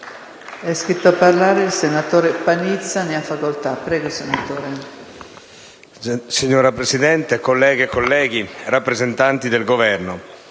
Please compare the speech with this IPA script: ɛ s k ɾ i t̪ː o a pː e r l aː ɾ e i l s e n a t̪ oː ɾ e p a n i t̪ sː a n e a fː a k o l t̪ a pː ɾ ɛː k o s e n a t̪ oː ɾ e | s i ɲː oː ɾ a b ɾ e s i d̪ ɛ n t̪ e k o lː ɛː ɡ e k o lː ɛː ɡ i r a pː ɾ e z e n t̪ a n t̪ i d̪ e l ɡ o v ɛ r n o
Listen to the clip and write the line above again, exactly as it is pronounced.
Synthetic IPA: ɛ s k ɾ i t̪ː o a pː a r l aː ɾ e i l s e n a t̪ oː ɾ e p a n i t̪ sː a n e a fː a k o l t̪ a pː ɾ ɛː ɡ o s e n a t̪ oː ɾ e | s i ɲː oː ɾ a p ɾ e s i d̪ ɛ n t̪ e k o lː ɛː ɡ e k o lː ɛː ɡ i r a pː ɾ e z e n t̪ a n t̪ i d̪ e l ɡ o v ɛ r n o